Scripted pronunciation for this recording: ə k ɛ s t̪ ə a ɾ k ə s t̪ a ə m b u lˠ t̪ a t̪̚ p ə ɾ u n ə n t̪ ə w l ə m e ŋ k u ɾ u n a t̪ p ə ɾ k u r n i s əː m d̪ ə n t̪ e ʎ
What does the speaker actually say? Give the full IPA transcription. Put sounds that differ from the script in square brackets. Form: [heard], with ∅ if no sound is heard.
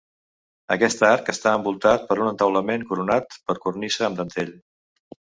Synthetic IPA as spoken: ə k ɛ s t̪ ə a ɾ k ə s t̪ a ə m b u lˠ t̪ a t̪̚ p ə ɾ u n ə n t̪ ə w l ə m e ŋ k u ɾ u n a t̪ p ə ɾ k u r n i s əː m d̪ ə n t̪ e ʎ